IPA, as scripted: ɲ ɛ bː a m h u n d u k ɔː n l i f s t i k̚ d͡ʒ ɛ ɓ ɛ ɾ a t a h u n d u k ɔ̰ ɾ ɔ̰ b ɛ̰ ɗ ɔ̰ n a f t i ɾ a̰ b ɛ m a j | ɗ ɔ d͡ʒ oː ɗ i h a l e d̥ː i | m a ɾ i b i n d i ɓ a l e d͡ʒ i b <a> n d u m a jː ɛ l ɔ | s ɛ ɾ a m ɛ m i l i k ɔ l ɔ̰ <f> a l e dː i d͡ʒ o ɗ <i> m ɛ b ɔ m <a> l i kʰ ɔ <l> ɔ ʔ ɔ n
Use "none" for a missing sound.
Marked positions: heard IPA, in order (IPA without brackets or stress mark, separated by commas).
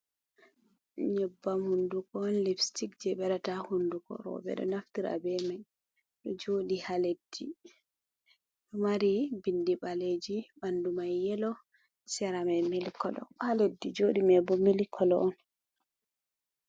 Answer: a, h, i, i, l